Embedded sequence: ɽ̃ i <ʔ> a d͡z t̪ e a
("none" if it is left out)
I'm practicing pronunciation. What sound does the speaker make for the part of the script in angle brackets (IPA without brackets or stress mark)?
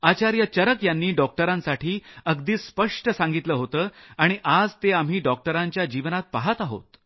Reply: ʔ